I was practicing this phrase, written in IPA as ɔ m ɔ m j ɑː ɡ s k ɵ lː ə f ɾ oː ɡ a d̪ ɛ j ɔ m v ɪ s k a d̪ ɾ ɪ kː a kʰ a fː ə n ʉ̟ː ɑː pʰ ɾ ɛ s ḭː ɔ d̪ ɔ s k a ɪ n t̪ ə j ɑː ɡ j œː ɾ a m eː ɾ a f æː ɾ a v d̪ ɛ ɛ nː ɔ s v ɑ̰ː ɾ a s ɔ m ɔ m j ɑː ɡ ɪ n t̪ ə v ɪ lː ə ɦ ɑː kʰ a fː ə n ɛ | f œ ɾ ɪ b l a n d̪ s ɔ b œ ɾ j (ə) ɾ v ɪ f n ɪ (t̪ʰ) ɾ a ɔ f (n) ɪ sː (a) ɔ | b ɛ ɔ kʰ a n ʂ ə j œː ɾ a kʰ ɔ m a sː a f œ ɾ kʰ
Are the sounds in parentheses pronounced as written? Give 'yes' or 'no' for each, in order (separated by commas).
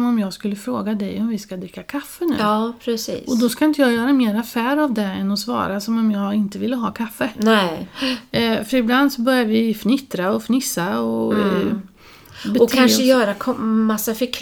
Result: no, no, yes, yes